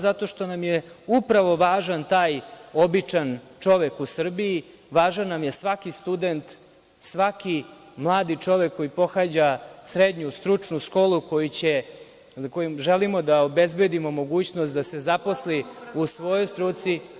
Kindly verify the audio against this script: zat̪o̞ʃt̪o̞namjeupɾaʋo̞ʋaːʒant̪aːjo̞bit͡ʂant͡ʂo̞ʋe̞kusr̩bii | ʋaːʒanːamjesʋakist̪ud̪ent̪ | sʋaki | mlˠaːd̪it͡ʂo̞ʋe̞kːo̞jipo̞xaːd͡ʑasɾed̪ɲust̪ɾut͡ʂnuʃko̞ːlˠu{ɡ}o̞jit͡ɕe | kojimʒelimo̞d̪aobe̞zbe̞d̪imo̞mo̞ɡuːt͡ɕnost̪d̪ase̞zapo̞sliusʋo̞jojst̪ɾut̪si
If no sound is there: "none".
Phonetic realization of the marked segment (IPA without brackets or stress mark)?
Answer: k